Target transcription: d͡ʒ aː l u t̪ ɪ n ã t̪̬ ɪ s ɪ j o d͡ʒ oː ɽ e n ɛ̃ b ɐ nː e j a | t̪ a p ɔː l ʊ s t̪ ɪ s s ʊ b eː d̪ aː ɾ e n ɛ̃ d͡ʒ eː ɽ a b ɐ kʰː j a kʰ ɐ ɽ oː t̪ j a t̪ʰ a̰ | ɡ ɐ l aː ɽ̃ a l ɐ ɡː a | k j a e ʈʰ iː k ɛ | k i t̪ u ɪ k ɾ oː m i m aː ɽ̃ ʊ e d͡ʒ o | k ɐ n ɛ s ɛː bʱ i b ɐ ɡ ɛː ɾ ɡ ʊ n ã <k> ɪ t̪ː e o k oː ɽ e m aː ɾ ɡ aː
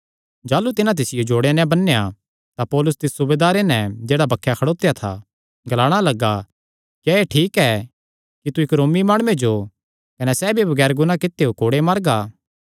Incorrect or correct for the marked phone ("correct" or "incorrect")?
correct